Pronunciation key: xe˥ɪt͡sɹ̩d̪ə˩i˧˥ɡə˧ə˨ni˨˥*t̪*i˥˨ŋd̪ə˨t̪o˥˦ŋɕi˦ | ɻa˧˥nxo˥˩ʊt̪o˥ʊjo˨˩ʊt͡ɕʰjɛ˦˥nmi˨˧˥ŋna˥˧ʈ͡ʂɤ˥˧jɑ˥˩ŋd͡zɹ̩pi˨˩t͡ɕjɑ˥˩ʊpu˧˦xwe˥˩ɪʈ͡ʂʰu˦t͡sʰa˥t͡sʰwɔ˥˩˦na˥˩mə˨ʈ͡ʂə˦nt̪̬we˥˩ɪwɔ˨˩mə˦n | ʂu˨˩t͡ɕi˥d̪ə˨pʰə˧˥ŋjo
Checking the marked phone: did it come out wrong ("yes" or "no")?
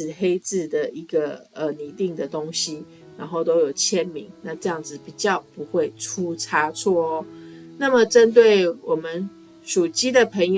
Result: no